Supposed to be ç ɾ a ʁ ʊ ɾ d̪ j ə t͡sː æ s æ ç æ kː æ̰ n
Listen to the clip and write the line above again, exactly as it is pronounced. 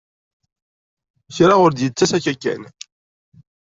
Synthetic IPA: ç ɾ a ʁ ʊ ɾ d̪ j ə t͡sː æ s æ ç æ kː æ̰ n